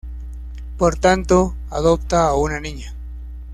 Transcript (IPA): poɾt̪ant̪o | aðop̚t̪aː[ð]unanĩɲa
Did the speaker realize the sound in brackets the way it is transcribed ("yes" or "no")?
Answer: no